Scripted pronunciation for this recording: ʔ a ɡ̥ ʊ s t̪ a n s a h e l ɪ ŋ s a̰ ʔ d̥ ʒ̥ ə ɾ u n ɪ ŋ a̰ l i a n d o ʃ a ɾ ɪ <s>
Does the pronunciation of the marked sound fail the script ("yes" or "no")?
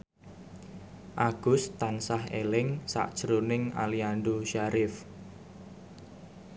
yes